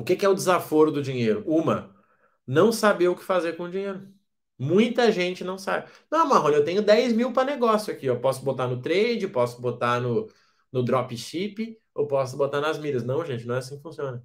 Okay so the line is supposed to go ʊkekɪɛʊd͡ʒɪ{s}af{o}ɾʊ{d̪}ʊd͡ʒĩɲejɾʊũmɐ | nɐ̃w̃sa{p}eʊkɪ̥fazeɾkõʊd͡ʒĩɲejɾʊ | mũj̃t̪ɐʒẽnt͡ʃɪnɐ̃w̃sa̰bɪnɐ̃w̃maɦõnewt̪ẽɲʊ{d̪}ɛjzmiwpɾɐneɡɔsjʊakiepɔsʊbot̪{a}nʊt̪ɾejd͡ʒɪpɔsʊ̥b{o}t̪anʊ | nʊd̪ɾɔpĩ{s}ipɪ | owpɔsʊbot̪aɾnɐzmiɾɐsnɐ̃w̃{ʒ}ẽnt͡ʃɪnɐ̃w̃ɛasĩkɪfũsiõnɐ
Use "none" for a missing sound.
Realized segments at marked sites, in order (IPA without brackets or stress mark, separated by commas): z, o, d̪, b, d̪, a, o, ʃ, ʒ